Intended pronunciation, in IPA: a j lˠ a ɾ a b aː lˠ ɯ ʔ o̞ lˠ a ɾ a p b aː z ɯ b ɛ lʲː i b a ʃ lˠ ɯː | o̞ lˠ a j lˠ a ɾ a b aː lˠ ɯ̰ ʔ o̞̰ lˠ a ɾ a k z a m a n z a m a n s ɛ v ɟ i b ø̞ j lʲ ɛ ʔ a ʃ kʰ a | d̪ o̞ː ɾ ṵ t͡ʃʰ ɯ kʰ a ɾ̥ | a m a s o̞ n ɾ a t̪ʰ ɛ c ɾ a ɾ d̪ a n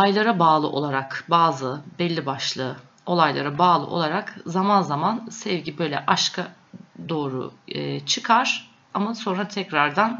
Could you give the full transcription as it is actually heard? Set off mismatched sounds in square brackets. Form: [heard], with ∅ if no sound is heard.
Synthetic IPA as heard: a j lˠ a ɾ a b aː lˠ ɯ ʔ o̞ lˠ a ɾ a [k] b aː z ɯ b ɛ lʲː i b a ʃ lˠ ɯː | o̞ lˠ a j lˠ a ɾ a b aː lˠ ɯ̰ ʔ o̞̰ lˠ a ɾ a k z a m a n z a m a n s ɛ v ɟ i b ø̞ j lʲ ɛ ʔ a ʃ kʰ a | d̪ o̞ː ɾ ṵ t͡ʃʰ ɯ kʰ a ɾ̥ | a m a s o̞ n ɾ a t̪ʰ ɛ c ɾ a ɾ d̪ a n